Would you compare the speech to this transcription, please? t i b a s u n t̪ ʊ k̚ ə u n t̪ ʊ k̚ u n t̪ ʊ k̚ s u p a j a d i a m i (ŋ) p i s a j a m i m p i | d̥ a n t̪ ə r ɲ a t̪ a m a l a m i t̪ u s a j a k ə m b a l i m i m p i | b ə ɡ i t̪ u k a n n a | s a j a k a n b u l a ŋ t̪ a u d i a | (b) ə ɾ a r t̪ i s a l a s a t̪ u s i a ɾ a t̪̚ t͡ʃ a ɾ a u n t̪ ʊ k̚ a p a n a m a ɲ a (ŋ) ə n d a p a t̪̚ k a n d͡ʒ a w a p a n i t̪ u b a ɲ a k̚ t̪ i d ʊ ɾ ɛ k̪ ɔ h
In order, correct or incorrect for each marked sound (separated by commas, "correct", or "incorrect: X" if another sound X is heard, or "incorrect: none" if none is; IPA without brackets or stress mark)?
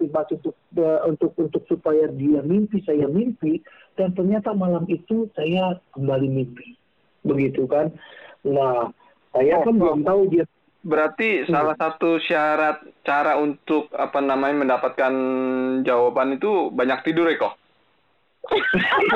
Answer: incorrect: m, correct, incorrect: m